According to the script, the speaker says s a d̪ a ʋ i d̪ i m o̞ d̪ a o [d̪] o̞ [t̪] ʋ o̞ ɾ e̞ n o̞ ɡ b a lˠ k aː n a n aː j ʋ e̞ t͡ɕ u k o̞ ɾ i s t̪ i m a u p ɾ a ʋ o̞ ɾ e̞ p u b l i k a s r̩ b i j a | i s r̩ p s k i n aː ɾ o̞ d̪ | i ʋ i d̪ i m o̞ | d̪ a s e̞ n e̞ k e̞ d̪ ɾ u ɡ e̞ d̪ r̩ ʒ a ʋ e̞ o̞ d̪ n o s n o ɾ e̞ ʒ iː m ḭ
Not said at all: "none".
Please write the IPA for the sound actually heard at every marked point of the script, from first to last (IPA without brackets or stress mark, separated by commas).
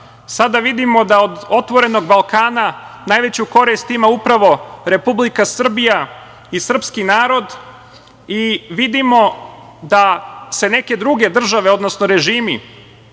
d̪, t̪